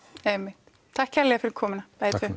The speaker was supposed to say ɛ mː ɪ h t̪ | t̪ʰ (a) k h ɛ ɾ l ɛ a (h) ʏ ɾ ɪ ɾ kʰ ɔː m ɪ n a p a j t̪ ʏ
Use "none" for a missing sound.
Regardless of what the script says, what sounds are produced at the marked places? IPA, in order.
a, f

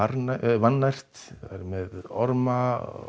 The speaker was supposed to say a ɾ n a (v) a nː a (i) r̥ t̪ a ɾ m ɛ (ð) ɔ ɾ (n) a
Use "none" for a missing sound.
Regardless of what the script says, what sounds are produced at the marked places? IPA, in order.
v, j, ð, m

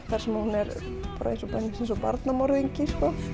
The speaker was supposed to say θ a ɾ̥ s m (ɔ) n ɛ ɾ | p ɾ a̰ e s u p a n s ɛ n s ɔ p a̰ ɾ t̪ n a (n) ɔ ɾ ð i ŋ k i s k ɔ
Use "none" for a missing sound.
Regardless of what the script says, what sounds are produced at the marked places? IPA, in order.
u, m

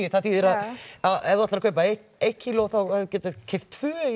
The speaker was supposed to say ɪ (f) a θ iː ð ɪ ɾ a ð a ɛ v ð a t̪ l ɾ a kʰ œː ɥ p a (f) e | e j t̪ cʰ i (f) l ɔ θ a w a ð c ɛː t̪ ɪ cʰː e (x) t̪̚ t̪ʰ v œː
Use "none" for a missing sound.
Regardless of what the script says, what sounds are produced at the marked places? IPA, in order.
θ, none, none, f

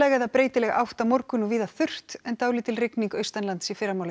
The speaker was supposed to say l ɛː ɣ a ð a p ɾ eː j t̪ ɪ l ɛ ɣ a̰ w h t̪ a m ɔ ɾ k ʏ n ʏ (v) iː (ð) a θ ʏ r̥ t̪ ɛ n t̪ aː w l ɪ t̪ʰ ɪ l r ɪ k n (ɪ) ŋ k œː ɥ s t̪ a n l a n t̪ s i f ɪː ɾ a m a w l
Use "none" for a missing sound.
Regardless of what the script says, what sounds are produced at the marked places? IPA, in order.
v, ð, i

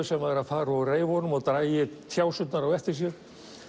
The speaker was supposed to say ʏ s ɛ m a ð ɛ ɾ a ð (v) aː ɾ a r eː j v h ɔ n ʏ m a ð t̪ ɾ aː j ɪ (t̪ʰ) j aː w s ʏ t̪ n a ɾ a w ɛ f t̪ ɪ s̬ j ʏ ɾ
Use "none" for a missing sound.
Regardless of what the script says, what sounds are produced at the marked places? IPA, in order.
f, t̪ʰ

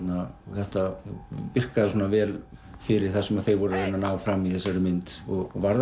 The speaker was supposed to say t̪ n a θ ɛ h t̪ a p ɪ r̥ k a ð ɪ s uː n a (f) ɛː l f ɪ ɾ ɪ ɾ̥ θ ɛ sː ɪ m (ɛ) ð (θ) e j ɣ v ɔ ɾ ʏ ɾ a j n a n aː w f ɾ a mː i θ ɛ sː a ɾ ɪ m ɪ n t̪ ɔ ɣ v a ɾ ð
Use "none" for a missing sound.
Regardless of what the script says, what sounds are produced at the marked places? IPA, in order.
v, a, θ

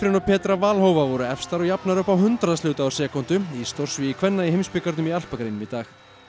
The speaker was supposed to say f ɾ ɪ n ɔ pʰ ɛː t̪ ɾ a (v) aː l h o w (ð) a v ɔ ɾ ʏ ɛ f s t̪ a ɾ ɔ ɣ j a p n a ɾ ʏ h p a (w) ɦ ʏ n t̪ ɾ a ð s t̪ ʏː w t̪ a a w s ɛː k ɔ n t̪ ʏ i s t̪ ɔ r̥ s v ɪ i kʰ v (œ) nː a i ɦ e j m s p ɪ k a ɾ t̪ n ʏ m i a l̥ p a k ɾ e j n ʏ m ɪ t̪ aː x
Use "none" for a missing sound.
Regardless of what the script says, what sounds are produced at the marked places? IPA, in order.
v, v, w, ɛ

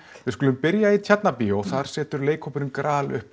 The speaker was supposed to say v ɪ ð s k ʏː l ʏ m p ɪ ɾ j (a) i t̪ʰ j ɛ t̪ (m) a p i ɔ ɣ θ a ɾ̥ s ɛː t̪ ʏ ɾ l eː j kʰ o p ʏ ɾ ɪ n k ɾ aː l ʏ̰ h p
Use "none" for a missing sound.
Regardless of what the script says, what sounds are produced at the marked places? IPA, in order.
a, n

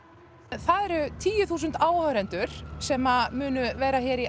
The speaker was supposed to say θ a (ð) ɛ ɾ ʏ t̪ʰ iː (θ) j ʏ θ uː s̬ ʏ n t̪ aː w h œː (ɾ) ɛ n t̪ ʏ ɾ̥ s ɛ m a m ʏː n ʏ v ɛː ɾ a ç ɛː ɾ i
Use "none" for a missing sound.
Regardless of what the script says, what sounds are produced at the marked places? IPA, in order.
ð, none, ɾ

